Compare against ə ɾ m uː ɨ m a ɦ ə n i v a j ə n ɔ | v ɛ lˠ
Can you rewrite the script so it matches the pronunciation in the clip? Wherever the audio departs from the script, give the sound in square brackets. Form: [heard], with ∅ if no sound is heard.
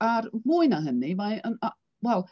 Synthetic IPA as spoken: [a] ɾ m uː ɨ [n] a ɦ ə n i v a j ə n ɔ | [w] ɛ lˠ